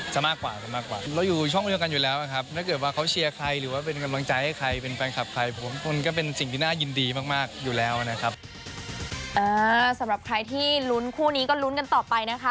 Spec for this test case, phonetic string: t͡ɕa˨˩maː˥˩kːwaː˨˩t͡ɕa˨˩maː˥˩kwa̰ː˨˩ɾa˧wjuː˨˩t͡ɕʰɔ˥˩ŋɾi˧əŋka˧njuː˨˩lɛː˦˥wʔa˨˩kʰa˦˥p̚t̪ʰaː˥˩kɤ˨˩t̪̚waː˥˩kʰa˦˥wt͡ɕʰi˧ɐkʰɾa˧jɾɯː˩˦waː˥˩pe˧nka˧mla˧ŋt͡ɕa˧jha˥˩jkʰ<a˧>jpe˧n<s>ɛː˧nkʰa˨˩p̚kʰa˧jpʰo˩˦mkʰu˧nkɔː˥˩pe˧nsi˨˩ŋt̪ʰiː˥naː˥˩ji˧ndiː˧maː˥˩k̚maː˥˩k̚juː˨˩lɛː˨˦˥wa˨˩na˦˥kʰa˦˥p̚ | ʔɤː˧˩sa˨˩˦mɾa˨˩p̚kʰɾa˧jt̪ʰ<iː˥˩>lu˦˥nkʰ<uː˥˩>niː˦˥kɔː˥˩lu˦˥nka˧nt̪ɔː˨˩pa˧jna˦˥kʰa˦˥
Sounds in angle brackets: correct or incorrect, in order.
correct, incorrect: f, correct, correct

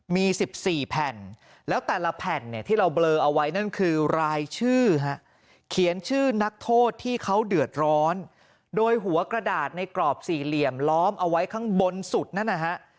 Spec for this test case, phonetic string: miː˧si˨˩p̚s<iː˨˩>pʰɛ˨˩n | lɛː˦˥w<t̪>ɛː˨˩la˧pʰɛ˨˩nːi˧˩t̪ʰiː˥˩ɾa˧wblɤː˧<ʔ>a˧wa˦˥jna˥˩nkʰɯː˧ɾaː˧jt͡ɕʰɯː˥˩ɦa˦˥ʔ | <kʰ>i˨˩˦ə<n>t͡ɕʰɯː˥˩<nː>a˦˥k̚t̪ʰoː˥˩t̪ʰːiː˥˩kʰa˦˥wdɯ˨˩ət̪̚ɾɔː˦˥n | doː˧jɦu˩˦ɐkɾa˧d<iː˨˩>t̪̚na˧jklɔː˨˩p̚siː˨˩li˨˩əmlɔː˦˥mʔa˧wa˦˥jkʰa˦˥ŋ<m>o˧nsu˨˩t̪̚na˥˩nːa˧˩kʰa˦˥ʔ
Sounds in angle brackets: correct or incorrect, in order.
correct, correct, correct, correct, correct, incorrect: n, incorrect: aː˨˩, incorrect: b

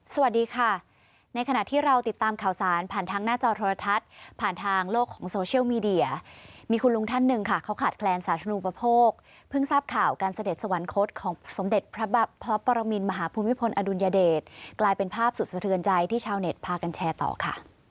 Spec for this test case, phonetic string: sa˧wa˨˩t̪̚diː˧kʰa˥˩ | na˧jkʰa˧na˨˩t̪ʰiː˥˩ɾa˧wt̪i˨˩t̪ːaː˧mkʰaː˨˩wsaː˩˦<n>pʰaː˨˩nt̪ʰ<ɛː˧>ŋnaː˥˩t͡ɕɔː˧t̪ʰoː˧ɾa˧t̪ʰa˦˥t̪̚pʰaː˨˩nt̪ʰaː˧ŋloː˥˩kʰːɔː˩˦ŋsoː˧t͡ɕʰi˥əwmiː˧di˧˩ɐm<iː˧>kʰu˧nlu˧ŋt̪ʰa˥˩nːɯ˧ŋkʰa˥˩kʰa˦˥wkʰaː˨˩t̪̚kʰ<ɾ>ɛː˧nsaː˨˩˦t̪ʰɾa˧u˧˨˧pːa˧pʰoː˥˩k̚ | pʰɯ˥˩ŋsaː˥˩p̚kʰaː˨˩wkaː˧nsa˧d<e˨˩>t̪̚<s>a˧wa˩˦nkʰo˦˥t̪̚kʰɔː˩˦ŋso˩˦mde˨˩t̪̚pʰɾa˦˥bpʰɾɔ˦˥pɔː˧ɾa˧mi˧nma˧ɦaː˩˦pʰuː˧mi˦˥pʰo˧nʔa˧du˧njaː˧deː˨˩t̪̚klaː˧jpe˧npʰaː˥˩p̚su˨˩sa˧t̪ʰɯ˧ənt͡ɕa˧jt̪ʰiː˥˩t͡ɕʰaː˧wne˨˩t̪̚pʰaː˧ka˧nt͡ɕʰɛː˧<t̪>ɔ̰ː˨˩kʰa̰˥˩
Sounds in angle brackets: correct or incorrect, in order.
correct, incorrect: aː˧, correct, incorrect: l, correct, correct, correct

